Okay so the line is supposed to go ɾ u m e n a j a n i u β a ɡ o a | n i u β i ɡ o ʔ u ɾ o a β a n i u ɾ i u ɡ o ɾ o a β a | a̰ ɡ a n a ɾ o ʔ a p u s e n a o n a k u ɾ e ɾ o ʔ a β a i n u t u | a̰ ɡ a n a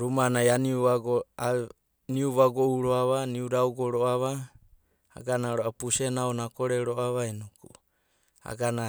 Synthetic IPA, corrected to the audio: ɾ u m a n a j a n i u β a ɡ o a | n i u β a ɡ o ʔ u ɾ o a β a n i u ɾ a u ɡ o ɾ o a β a | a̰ ɡ a n a ɾ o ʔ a p u s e n a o n a k o ɾ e ɾ o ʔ a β a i n u k u | a̰ ɡ a n a

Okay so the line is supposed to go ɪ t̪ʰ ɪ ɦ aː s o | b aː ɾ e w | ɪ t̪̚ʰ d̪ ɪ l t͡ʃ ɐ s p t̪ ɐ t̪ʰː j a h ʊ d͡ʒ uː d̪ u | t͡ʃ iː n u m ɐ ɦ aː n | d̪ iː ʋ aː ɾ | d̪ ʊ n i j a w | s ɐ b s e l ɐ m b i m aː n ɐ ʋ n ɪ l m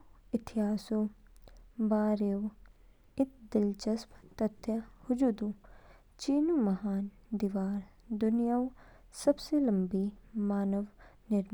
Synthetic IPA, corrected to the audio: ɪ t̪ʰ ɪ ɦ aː s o | b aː ɾ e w | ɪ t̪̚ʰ d̪ ɪ l t͡ʃ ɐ s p t̪ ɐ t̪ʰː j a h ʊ d͡ʒ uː d̪ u | t͡ʃ iː n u m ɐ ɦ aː n | d̪ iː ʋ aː ɾ | d̪ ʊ n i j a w | s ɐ b s e l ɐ m b i m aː n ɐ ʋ n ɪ ɾ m

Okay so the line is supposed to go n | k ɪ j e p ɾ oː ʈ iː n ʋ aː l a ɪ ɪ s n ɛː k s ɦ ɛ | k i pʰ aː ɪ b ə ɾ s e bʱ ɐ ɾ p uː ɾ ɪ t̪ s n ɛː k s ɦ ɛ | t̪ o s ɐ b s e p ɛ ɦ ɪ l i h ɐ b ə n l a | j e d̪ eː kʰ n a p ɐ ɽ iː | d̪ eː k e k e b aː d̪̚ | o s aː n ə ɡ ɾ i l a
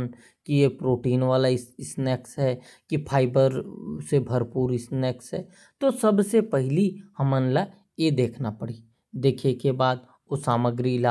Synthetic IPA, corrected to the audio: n | k i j e p ɾ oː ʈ iː n ʋ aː l a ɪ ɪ s n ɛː k s ɦ ɛ | k i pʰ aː ɪ b ə ɾ s e bʱ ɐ ɾ p uː ɾ ɪ s n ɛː k s ɦ ɛ | t̪ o s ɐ b s e p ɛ ɦ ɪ l i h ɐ m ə n l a | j e d̪ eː kʰ n a p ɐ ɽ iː | d̪ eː kʰ e k e b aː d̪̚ | o s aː m ə ɡ ɾ i l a

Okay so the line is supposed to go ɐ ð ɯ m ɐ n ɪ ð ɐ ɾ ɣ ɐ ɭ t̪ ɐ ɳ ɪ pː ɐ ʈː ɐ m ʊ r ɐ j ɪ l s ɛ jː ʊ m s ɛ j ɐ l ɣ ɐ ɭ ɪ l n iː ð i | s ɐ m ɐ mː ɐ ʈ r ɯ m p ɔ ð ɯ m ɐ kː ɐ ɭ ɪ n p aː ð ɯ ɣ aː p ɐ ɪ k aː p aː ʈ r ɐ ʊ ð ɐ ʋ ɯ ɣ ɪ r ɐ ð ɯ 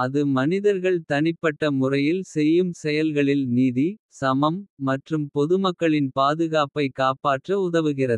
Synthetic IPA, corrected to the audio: ɐ ð ɯ m ɐ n ɪ ð ɐ ɾ ɣ ɐ ɭ t̪ ɐ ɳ ɪ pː ɐ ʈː ɐ m ʊ r ɐ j ɪ l s ɛ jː ɯ m s ɛ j ɐ l ɣ ɐ ɭ ɪ l n iː ð i | s ɐ m ɐ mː ɐ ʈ r ɯ m p ɔ ð ɯ m ɐ kː ɐ ɭ ɪ n p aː ð ɯ ɣ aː p ɐ ɪ k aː p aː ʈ r ɐ ʊ ð ɐ ʋ ɯ ɣ ɪ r ɐ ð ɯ

